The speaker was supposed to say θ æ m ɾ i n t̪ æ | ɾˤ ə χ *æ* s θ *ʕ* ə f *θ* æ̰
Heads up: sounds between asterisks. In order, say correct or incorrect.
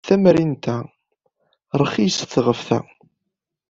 incorrect, incorrect, correct

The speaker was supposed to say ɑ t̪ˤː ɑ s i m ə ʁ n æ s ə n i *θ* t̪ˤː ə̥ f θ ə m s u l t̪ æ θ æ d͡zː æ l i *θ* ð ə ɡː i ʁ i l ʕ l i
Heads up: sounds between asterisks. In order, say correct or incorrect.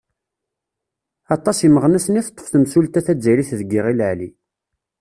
correct, correct

